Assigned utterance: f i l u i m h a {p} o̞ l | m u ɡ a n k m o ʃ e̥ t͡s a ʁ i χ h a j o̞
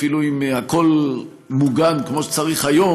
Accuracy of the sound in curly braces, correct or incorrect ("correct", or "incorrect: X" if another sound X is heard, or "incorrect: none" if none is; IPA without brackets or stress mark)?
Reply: incorrect: k